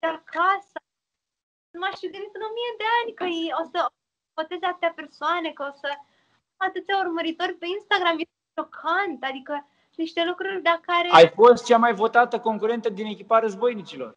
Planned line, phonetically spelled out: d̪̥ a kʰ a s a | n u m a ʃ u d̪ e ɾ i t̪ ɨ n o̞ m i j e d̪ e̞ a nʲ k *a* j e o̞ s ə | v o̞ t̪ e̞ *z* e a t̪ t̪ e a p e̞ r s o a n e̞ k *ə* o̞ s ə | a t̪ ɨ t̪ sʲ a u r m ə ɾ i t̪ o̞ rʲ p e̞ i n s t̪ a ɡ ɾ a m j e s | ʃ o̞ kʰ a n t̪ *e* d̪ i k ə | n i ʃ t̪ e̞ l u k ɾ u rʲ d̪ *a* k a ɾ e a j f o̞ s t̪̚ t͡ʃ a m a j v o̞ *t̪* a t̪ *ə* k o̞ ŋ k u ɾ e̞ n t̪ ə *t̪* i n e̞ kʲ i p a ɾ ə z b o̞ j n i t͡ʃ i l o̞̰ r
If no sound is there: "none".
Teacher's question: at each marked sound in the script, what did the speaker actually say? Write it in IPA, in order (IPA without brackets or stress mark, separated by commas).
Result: ə, z, ə, a, a, t̪, ə, d̪